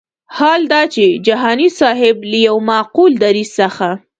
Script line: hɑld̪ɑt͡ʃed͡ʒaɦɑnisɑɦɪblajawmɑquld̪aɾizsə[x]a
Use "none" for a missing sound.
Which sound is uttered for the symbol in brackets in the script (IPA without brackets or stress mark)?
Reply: x